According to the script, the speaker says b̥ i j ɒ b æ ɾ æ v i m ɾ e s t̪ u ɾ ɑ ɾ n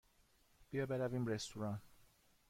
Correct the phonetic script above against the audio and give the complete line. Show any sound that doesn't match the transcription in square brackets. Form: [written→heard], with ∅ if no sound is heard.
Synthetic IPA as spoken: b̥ i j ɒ b [æ→e] ɾ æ v i m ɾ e s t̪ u ɾ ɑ [ɾ→∅] n

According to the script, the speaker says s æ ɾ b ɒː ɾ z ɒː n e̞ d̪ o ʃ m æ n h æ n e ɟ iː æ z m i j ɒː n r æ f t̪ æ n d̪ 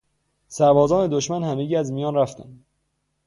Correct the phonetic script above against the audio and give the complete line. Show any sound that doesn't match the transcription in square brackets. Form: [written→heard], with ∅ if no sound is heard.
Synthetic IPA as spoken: s æ ɾ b ɒː [ɾ→∅] z ɒː n e̞ d̪ o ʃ m æ n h æ [n→m] e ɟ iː æ z m i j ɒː n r æ f t̪ æ n d̪

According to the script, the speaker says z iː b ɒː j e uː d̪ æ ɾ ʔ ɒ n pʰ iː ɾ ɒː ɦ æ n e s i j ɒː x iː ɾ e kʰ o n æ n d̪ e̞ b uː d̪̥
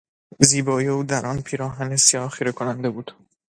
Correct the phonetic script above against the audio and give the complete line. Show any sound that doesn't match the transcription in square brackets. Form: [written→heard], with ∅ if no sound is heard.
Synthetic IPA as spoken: z iː b ɒː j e uː d̪ æ ɾ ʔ ɒ n pʰ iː ɾ ɒː ɦ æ n e s i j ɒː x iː ɾ e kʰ o n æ n d̪ e̞ b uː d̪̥

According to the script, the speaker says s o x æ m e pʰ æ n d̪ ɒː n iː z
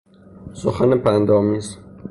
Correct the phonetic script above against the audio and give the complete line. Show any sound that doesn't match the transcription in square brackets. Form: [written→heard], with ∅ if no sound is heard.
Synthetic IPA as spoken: s o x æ [m→n] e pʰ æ n d̪ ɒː [n→m] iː z

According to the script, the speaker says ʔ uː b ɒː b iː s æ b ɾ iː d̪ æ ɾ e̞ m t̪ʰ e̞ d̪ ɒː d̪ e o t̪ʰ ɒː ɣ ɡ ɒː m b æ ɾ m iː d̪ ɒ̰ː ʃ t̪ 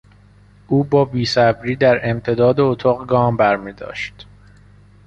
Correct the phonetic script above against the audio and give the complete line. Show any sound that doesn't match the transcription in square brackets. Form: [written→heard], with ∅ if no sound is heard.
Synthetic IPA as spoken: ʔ uː b ɒː b iː s æ b ɾ iː d̪ æ ɾ e̞ m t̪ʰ e̞ d̪ ɒː d̪ e o t̪ʰ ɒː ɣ ɡ ɒː m b æ ɾ m iː d̪ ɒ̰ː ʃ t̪

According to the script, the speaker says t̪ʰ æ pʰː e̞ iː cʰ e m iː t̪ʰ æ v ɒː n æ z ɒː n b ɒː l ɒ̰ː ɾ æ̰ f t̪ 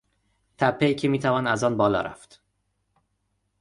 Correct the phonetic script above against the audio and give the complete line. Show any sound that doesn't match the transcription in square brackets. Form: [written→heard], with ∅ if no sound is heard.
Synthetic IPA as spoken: t̪ʰ æ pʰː e̞ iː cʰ e m iː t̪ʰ æ v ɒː n æ z ɒː n b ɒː l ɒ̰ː ɾ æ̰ f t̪

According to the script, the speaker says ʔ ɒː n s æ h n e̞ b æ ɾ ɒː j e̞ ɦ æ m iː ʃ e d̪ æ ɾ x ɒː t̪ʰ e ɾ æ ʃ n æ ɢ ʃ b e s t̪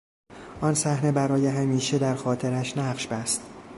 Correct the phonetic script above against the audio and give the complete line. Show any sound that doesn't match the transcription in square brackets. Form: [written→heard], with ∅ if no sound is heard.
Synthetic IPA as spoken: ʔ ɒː n s æ h n e̞ b æ ɾ ɒː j e̞ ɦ æ m iː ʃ e d̪ æ ɾ x ɒː t̪ʰ e ɾ æ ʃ n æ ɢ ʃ b [e→æ] s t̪

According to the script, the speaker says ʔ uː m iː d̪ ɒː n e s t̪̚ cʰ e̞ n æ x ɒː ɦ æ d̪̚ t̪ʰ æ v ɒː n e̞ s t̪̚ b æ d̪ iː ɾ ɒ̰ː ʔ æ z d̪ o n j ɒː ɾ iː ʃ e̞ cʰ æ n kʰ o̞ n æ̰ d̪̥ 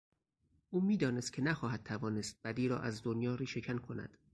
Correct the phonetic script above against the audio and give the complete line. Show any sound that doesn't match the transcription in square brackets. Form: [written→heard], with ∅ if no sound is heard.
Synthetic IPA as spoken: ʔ uː m iː d̪ ɒː n e s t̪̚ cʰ e̞ n æ x ɒː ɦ æ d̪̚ t̪ʰ æ v ɒː n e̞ s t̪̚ b æ d̪ iː ɾ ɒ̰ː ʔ æ z d̪ o n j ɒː ɾ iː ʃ e̞ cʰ æ n kʰ o̞ n æ̰ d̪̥

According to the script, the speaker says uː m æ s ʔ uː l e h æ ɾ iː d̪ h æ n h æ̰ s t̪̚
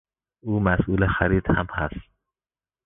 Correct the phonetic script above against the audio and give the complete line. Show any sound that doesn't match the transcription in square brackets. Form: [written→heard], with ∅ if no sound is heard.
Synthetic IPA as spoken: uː m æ s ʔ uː l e [h→x] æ ɾ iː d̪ h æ [n→m] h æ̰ s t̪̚

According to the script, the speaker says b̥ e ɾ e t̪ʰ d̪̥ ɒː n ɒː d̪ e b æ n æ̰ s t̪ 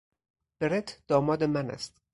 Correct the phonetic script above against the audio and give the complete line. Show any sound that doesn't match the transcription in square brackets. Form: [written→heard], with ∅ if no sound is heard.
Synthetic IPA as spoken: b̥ e ɾ e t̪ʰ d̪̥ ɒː [n→m] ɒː d̪ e [b→m] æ n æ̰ s t̪

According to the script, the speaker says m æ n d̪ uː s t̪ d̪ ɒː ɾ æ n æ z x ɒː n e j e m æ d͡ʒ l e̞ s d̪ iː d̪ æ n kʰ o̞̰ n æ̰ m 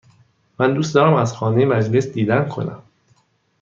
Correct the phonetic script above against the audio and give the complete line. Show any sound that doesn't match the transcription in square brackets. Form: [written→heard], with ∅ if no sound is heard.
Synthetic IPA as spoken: m æ n d̪ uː s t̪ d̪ ɒː ɾ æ [n→m] æ z x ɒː n e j e m æ d͡ʒ l e̞ s d̪ iː d̪ æ n kʰ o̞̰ n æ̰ m

